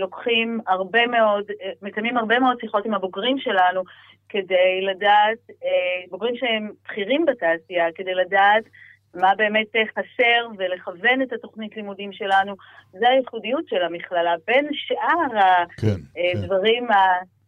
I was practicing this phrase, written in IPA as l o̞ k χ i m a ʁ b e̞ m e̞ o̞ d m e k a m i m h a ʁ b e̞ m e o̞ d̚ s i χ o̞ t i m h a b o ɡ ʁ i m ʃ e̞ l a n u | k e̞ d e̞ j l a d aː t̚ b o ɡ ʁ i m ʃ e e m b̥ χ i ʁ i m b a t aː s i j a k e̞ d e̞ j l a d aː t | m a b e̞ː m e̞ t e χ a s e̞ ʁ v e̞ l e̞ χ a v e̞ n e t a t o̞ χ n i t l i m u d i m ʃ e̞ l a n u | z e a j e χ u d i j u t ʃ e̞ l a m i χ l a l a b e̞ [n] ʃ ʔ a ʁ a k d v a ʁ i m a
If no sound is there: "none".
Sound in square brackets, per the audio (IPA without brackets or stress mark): n